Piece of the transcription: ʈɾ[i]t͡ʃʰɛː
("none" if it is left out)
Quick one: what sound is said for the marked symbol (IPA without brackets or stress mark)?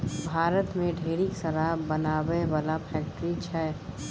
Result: i